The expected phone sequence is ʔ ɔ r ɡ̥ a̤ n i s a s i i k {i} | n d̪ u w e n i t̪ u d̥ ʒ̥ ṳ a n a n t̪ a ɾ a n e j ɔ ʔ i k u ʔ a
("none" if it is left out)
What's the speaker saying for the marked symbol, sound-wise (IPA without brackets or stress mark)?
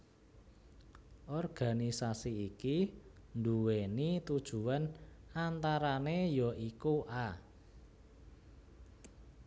i